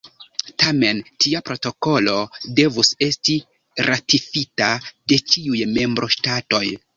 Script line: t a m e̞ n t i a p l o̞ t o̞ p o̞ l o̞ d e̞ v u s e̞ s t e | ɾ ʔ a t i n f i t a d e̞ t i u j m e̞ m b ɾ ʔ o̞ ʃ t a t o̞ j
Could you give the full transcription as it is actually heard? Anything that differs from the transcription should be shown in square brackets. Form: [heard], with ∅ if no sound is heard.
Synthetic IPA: t a m e̞ n t i a p [ɾ] o̞ t o̞ [k] o̞ l o̞ d e̞ v u s e̞ s t [i] | ɾ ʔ a t i [∅] f i t a d e̞ [t͡ʃ] i u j m e̞ m b ɾ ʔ o̞ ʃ t a t o̞ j